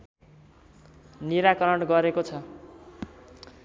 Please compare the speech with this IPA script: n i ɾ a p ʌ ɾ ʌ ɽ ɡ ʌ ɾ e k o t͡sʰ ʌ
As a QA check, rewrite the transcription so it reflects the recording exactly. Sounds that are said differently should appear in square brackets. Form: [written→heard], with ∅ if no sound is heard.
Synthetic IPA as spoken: n i ɾ a [p→k] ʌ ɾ ʌ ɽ ɡ ʌ ɾ e k o t͡sʰ ʌ